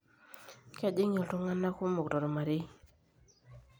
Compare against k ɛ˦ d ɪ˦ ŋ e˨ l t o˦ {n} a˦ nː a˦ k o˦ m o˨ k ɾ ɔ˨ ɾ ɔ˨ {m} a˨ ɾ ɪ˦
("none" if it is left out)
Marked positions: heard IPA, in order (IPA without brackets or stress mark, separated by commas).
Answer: ŋ, m